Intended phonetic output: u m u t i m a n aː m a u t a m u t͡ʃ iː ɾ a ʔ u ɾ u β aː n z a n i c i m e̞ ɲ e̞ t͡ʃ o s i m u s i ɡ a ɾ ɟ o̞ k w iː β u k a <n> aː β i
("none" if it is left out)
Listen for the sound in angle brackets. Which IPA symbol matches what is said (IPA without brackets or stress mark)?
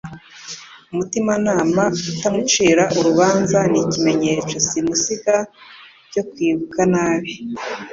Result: n